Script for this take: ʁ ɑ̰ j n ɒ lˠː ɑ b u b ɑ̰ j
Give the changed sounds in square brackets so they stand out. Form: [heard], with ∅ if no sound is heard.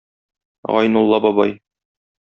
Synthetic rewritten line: ʁ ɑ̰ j n [u] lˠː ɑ b [ɒ] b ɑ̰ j